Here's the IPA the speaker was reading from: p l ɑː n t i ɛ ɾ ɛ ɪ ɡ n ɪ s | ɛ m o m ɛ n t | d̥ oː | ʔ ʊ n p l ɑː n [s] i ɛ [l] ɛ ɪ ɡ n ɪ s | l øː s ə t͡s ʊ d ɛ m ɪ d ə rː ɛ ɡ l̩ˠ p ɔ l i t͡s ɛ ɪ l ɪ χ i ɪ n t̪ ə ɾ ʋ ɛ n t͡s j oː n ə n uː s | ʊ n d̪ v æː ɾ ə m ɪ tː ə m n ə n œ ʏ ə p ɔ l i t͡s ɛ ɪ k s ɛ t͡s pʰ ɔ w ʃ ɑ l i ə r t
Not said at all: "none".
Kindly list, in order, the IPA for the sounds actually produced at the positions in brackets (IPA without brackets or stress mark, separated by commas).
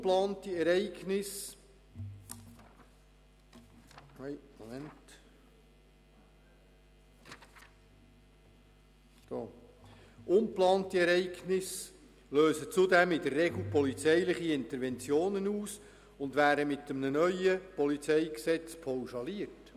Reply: t, ɾ